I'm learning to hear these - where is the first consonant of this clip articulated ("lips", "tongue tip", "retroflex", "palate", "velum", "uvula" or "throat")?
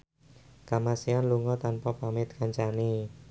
velum